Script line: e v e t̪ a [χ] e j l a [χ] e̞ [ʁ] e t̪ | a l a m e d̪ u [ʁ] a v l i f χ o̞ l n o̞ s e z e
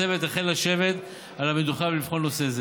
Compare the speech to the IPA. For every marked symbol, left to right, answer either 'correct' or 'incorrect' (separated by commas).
correct, incorrect, incorrect, incorrect